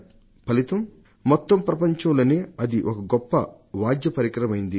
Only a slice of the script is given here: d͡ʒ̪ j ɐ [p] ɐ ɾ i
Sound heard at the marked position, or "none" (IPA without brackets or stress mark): p